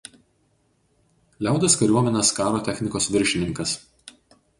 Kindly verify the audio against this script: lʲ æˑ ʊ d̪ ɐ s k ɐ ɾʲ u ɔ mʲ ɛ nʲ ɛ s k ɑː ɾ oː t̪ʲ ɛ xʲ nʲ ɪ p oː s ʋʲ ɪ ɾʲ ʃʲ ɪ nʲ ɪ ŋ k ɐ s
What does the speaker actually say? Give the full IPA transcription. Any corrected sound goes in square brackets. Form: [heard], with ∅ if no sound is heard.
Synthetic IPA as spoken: lʲ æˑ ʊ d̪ ɐ s k ɐ ɾʲ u ɔ mʲ ɛ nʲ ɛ s k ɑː ɾ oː t̪ʲ ɛ xʲ nʲ ɪ [k] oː s ʋʲ ɪ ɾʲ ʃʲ ɪ nʲ ɪ ŋ k ɐ s